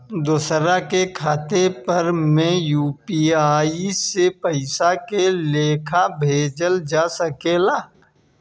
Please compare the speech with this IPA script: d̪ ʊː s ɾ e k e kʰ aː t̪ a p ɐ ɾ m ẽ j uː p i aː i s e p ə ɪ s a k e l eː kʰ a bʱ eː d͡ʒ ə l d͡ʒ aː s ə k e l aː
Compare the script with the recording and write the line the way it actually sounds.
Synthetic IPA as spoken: d̪ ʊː s ɾ a k e kʰ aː t̪ e p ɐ ɾ m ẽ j uː p i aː i s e p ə ɪ s a k e l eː kʰ a bʱ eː d͡ʒ ə l d͡ʒ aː s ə k e l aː